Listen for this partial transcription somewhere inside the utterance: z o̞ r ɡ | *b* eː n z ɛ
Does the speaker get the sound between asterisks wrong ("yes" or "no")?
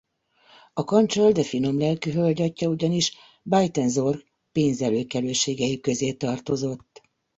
yes